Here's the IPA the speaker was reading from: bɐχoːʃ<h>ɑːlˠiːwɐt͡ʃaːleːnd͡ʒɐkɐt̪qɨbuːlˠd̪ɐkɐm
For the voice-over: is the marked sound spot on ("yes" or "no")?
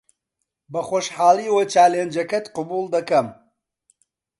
no